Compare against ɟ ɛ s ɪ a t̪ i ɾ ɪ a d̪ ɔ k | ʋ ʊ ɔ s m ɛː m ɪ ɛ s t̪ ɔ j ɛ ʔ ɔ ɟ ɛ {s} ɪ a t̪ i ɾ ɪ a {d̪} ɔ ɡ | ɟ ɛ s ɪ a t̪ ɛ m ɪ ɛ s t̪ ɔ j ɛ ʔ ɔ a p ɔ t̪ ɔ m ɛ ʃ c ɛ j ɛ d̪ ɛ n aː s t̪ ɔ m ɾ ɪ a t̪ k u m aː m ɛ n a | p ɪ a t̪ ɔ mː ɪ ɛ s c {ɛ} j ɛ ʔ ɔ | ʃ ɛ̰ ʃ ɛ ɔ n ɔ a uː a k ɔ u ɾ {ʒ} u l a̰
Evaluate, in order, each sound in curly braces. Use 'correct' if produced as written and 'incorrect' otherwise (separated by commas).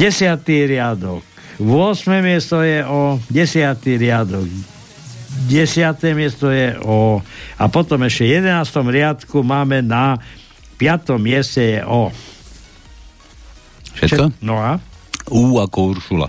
correct, correct, correct, incorrect